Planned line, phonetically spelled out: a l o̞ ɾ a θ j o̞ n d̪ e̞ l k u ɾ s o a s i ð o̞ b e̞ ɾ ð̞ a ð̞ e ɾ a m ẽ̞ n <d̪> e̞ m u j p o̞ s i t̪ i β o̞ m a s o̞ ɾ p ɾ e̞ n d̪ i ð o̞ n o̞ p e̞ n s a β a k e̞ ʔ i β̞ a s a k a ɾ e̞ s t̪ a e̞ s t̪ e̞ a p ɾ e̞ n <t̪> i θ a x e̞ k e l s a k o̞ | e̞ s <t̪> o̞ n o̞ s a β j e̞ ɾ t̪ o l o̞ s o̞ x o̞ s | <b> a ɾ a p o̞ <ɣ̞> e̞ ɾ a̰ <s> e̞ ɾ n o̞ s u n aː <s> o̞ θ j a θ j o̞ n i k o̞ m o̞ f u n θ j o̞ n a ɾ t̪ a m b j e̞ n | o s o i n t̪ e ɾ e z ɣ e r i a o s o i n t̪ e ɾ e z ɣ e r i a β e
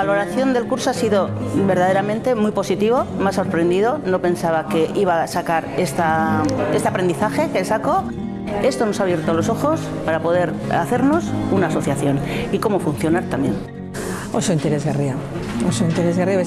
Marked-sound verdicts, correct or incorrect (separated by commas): incorrect, incorrect, correct, incorrect, incorrect, incorrect, correct